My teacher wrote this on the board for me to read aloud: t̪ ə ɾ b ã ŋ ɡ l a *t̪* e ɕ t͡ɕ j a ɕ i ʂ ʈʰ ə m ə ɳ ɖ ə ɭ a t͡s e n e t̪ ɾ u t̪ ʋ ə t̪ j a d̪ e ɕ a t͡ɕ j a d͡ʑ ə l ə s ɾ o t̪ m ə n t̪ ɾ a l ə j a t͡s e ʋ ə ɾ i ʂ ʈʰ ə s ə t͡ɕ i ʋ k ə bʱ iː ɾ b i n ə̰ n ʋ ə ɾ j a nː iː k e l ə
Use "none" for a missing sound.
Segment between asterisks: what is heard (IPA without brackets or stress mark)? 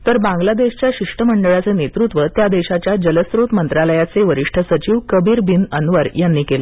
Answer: d̪